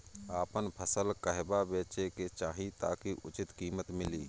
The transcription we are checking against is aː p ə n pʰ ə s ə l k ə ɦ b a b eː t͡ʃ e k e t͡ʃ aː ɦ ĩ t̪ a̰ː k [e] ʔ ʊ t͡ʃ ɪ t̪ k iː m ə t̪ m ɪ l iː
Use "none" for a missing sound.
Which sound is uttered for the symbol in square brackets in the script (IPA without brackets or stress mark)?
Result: i